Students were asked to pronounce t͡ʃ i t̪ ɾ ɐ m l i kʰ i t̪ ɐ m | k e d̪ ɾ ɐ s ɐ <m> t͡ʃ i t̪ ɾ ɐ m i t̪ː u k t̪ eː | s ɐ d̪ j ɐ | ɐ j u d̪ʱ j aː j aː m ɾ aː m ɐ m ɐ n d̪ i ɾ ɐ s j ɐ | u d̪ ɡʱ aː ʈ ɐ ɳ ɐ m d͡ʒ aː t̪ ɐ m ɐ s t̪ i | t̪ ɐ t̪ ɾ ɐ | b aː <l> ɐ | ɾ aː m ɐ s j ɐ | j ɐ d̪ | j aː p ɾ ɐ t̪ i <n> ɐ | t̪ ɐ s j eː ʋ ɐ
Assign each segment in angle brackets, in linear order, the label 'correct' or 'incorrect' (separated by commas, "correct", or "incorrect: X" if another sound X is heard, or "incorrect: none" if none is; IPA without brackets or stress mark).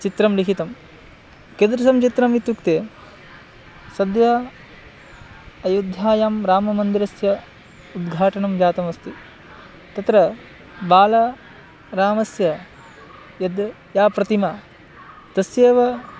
correct, correct, incorrect: m